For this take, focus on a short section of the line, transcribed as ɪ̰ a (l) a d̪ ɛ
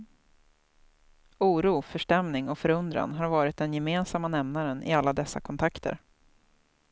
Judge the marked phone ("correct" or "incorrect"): incorrect